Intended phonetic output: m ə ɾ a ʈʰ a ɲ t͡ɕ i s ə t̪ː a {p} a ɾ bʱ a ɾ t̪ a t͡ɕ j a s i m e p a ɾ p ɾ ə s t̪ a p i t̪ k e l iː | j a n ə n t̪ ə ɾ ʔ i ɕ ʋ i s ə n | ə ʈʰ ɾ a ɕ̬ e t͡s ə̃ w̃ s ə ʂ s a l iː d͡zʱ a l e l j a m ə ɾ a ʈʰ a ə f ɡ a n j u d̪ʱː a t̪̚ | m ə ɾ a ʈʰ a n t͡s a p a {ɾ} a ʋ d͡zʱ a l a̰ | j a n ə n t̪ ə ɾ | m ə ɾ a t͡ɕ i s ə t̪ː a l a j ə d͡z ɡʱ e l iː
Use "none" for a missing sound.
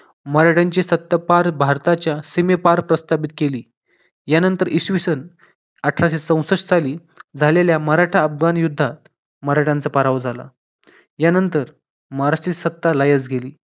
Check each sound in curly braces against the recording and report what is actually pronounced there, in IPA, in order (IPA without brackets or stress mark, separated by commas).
p, ɾ